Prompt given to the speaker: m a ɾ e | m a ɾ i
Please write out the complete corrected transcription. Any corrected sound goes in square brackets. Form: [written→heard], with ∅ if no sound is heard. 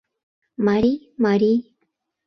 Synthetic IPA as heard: m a ɾ [e→i] | m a ɾ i